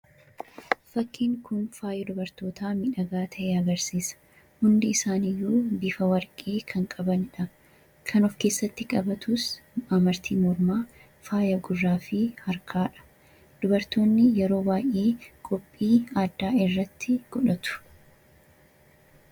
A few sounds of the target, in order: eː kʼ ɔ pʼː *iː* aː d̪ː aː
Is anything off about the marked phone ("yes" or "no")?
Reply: no